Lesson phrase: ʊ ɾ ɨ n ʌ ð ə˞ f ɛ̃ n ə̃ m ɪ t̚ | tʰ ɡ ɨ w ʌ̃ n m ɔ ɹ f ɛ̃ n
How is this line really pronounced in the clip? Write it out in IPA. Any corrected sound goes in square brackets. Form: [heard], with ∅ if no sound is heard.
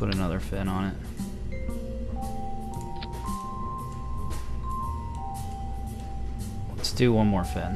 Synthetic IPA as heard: ʊ ɾ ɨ n ʌ ð ə˞ f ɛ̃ n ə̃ [n] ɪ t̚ | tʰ [d] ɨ w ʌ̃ n m ɔ ɹ f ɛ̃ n